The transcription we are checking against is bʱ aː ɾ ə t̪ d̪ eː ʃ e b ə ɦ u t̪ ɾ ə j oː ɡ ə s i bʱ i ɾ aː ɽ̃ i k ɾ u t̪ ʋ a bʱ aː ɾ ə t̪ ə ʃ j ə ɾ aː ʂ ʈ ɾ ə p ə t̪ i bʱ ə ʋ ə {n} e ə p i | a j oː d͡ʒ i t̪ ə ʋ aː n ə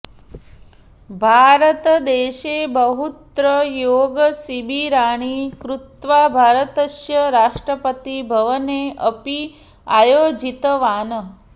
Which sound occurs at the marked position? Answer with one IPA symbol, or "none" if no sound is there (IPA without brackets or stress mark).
n